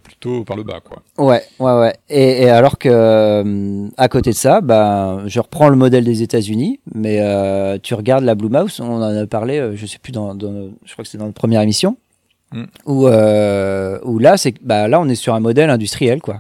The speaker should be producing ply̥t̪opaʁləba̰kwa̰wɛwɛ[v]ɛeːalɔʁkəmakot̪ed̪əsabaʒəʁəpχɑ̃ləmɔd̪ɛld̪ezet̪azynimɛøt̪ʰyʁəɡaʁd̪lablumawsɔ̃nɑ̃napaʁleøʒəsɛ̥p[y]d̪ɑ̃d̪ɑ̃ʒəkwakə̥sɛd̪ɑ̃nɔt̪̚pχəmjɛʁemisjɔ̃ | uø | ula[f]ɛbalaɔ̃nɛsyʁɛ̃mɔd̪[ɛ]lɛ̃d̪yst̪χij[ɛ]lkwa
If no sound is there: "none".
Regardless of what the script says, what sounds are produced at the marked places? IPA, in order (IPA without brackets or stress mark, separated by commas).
w, y, s, ɛ, ɛ